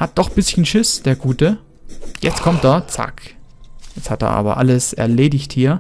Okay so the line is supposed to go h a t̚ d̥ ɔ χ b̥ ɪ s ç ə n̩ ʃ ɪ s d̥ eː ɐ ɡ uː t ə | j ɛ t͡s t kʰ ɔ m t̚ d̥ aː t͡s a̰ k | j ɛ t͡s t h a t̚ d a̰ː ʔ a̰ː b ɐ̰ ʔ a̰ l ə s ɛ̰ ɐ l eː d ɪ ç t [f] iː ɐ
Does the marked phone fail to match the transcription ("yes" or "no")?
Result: yes